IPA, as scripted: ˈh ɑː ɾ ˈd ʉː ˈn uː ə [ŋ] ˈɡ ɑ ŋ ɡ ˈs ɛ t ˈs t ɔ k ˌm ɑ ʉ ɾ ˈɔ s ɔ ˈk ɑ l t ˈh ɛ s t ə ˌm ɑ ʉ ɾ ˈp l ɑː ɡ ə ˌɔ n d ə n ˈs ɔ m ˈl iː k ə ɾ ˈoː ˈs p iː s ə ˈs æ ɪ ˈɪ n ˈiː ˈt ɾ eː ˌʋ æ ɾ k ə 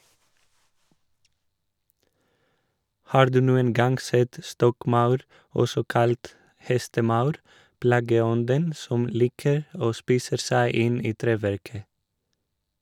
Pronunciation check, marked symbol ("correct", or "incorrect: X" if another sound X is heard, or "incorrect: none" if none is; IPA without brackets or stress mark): incorrect: n